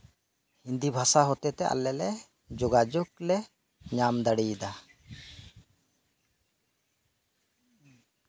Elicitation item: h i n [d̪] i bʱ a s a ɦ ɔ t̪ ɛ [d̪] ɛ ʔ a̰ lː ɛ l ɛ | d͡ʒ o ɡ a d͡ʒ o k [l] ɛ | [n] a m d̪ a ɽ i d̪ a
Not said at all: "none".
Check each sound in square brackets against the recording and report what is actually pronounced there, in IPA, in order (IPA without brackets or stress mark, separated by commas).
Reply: d̪, t̪, l, ɲ